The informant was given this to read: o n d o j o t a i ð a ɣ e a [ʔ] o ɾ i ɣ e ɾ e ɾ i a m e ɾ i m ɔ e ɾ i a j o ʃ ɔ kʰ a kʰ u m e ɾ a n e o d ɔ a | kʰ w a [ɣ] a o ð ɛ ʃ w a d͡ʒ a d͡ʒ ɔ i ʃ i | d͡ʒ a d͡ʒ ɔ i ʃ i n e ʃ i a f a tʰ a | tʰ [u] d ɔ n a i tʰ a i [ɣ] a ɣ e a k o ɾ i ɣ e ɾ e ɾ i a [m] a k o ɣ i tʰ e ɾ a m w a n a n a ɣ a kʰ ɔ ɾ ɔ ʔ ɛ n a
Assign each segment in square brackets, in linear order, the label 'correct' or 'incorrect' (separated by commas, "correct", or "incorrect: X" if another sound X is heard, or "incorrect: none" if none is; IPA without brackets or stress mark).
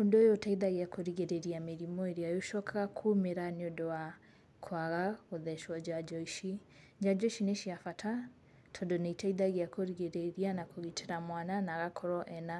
incorrect: k, correct, incorrect: ɔ, incorrect: ð, incorrect: n